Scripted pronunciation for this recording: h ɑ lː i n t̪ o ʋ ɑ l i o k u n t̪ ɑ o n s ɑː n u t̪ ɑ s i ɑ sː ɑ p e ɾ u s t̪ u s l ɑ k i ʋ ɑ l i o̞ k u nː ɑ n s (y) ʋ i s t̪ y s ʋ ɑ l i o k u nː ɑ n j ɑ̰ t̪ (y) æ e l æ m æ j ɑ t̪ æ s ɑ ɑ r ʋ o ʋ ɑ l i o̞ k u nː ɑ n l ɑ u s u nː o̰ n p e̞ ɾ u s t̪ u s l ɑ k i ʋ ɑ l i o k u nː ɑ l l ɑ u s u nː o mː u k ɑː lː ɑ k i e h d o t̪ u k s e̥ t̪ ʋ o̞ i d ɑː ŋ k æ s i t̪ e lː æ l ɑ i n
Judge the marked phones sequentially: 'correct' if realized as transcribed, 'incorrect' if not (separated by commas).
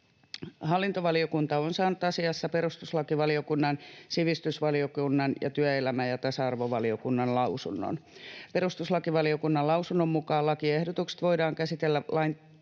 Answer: incorrect, correct